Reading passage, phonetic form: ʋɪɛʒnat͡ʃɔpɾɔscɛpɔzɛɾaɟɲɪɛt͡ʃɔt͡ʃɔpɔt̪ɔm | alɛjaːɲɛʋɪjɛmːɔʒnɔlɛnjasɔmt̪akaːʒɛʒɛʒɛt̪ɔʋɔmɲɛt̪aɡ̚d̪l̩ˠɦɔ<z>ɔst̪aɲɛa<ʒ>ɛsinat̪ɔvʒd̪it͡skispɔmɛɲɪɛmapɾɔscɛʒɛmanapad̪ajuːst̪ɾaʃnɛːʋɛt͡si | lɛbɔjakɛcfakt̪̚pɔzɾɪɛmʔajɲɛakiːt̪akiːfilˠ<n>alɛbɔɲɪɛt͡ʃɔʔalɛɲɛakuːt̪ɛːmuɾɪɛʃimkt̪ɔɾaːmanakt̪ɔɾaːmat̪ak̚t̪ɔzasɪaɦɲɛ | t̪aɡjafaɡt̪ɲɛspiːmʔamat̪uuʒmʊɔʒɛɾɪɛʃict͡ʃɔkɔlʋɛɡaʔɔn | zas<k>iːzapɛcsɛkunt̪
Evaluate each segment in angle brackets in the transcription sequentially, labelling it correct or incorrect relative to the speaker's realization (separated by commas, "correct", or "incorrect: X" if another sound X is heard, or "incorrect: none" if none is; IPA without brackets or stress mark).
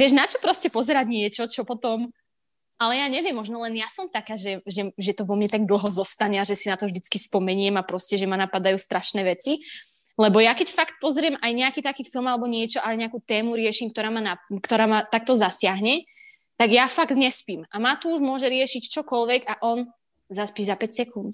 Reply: correct, correct, incorrect: m, incorrect: p